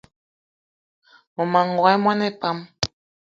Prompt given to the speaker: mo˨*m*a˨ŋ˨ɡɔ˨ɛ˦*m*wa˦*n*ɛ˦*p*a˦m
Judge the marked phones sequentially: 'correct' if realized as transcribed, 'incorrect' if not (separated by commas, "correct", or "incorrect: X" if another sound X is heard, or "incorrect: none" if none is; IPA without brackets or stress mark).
correct, correct, correct, correct